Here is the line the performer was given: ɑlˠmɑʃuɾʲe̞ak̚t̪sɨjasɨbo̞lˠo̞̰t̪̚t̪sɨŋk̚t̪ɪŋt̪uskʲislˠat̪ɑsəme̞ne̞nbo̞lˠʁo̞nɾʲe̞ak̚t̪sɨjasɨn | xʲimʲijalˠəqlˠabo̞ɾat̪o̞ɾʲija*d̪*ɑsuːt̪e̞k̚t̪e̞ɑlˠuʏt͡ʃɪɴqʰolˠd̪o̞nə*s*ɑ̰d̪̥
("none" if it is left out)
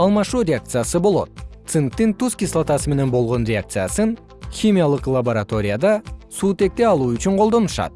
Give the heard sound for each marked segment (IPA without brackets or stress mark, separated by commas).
d̪, ʃ